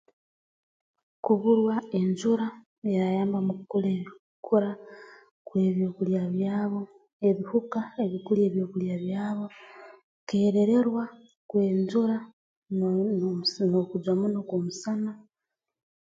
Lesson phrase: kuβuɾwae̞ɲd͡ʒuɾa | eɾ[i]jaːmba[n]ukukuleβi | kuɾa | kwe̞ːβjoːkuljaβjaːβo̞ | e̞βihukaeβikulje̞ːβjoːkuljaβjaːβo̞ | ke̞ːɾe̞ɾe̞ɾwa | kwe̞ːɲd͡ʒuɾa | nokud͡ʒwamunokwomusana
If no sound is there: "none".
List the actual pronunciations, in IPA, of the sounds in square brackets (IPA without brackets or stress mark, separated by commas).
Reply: a, m